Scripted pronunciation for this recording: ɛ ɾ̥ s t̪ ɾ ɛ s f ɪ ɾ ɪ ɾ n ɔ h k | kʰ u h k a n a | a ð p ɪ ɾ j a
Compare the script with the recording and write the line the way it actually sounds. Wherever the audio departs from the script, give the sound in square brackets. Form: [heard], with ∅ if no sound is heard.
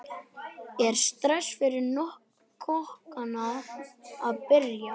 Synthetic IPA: ɛ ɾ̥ s t̪ ɾ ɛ s f ɪ ɾ ɪ ɾ n ɔ h k | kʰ [ɔ] h k a n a | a ð p ɪ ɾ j a

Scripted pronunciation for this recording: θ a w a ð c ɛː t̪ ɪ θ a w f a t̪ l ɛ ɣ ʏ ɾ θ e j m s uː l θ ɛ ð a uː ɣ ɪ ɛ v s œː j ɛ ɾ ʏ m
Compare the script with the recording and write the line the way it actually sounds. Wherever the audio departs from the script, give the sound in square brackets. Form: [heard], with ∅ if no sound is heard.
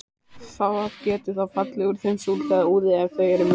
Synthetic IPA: θ a w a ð c ɛː t̪ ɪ θ a w f a t̪ l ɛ ɣ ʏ ɾ θ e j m s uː l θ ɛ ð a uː [ð] ɪ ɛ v [θ] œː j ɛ ɾ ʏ m

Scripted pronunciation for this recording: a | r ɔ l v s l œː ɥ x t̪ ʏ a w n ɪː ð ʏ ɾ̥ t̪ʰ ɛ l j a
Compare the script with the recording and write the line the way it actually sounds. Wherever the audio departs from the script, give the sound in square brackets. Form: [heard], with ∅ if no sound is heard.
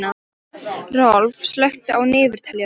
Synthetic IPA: a | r ɔ l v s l [œ] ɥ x t̪ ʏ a w n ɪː [v] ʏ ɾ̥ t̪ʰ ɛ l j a

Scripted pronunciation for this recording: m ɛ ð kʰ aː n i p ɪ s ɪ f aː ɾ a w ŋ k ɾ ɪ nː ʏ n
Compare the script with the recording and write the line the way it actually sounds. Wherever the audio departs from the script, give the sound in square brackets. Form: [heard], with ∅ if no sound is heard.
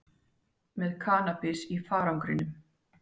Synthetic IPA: m ɛ ð kʰ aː n [a] p ɪ s [i] f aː ɾ a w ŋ k ɾ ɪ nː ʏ [m]

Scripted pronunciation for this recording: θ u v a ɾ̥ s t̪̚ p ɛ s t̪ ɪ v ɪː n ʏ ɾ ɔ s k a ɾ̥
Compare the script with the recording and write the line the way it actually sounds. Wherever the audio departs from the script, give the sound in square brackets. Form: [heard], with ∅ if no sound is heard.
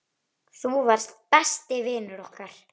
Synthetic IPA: θ u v a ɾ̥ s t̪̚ p ɛ s t̪ ɪ v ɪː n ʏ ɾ ɔ [h] k a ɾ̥

